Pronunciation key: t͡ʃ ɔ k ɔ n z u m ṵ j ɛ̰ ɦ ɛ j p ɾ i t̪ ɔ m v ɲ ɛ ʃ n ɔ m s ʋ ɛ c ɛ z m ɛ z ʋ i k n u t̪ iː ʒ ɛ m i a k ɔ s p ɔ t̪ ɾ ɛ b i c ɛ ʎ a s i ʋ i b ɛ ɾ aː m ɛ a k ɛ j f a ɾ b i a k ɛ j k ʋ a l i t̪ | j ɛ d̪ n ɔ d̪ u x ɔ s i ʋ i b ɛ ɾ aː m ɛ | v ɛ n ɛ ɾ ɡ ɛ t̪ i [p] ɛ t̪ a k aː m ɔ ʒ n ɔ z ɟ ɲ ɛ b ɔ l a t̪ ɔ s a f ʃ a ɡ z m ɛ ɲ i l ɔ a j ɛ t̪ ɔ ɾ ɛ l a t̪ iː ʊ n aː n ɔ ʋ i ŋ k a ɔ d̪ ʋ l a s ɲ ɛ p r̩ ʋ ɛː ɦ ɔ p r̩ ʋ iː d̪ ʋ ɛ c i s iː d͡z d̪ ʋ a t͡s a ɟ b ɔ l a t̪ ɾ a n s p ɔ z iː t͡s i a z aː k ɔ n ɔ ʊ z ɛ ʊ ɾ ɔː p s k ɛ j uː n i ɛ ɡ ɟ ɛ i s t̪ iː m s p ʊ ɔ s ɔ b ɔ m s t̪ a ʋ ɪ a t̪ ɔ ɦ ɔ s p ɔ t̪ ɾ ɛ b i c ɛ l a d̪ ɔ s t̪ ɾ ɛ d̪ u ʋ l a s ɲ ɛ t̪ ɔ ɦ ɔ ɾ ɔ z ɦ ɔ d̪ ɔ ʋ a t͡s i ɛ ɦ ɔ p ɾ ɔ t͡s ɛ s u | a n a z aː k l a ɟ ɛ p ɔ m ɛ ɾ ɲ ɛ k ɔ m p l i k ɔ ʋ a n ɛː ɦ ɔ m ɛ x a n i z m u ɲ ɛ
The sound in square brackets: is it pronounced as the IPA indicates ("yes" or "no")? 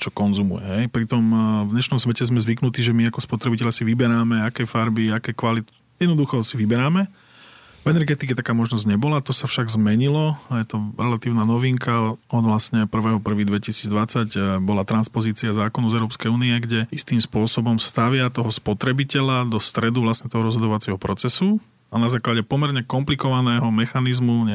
no